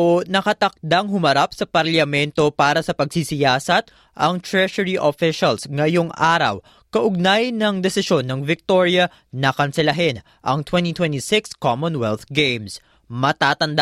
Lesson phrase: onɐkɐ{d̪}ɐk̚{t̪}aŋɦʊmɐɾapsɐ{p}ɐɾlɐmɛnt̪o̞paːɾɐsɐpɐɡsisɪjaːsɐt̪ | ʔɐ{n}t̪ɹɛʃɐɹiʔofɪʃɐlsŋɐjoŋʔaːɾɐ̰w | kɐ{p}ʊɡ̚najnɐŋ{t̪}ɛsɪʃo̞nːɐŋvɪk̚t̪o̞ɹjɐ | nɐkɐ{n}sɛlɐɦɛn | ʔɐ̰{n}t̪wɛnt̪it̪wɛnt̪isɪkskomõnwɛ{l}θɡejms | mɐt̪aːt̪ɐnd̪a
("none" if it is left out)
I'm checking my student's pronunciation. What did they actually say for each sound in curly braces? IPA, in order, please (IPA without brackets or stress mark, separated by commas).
t̪, d̪, p, ŋ, ʔ, d̪, n, ŋ, l